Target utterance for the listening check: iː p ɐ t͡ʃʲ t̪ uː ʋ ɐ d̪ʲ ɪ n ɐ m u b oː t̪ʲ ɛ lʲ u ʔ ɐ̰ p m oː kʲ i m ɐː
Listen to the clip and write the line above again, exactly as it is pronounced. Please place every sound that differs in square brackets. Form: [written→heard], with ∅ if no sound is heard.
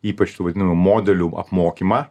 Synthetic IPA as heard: iː p ɐ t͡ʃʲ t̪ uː ʋ ɐ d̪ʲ ɪ n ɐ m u [b→m] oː [t̪ʲ→d̪ʲ] ɛ lʲ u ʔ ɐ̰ p m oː kʲ i m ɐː